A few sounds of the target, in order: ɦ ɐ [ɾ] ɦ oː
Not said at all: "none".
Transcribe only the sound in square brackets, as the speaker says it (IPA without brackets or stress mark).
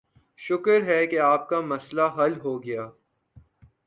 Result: l